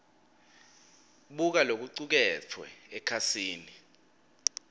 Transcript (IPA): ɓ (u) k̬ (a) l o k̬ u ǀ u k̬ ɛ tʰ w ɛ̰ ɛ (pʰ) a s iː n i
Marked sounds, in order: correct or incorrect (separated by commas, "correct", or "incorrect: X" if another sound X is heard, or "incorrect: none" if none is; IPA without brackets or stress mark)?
correct, correct, incorrect: kʰ